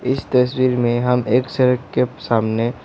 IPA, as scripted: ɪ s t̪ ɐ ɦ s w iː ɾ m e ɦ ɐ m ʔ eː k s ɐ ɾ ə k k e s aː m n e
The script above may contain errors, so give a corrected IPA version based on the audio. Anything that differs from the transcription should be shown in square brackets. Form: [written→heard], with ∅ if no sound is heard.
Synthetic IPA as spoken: ɪ s t̪ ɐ [ɦ→∅] s w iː ɾ m [e→ẽ] ɦ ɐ m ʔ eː k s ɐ ɾ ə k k e s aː m n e